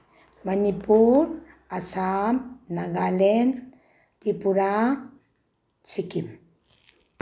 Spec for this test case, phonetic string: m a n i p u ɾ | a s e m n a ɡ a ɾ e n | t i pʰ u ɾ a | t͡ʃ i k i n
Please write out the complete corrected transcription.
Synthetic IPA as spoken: m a n i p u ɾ | a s a m n a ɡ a l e n | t i p u ɾ a | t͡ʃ i k i m